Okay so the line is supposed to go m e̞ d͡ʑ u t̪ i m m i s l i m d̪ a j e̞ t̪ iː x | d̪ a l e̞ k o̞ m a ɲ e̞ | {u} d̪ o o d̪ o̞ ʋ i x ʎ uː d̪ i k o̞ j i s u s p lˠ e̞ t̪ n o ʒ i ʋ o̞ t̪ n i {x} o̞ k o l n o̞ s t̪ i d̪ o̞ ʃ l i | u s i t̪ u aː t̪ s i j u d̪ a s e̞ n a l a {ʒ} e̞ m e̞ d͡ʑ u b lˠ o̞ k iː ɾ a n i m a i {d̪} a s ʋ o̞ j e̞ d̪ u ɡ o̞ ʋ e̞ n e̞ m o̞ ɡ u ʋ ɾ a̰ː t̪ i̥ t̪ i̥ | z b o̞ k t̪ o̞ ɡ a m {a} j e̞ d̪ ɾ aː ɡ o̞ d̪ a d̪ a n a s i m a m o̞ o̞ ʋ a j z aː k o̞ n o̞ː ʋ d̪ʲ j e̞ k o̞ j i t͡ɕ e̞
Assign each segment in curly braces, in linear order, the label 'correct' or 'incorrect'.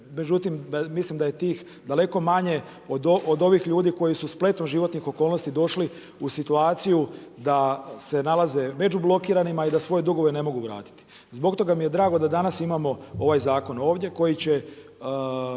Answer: incorrect: o, correct, incorrect: z, correct, incorrect: i

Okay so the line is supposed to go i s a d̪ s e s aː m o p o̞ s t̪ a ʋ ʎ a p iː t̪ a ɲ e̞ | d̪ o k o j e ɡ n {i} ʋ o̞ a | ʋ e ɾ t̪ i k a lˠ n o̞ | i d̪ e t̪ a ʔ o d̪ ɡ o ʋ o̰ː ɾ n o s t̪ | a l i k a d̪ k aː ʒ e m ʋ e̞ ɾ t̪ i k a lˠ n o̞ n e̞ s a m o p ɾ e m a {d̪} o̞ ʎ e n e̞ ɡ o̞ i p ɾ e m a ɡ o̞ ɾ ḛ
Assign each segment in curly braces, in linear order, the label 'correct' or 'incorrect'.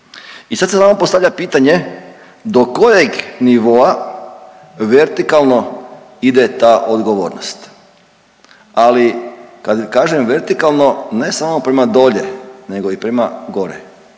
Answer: correct, correct

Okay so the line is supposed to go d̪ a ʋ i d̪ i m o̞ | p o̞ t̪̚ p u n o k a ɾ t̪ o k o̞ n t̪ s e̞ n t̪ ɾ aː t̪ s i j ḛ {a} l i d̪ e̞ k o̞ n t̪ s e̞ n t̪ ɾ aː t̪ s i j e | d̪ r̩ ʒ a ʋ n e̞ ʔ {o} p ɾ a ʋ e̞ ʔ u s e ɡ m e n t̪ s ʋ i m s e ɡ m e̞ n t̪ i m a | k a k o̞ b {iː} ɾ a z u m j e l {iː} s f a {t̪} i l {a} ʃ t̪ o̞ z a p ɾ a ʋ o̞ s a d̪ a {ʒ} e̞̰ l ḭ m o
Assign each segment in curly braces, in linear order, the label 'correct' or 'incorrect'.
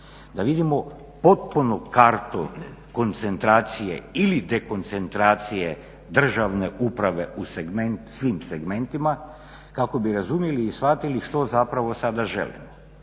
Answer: incorrect: i, incorrect: u, incorrect: i, correct, correct, incorrect: i, correct

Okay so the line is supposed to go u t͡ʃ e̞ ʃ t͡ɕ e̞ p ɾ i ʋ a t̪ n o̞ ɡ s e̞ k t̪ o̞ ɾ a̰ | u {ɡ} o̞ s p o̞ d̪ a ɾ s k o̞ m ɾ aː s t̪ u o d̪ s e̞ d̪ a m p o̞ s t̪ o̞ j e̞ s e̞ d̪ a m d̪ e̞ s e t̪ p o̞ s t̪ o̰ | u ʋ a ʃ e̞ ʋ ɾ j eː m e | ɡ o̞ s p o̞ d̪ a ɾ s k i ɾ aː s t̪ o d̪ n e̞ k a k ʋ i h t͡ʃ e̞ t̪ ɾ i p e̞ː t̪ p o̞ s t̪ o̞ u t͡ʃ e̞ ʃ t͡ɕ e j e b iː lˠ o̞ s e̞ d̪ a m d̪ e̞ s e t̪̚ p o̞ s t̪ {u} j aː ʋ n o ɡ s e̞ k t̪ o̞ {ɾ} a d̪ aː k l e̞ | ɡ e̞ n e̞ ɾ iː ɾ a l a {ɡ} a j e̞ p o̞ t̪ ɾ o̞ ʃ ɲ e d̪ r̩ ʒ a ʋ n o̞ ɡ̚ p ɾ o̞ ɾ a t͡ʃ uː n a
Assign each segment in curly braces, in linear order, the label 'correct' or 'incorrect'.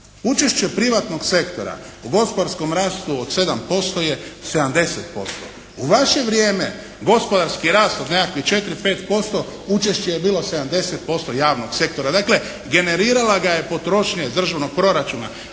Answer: correct, incorrect: o, correct, correct

